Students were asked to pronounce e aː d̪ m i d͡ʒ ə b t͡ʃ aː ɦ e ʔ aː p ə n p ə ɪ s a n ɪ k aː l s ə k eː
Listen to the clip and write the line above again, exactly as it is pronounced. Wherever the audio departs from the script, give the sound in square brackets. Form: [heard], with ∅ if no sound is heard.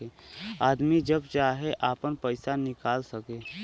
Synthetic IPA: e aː d̪ m i d͡ʒ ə b t͡ʃ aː ɦ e ʔ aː p ə n p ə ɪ s a n ɪ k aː l s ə k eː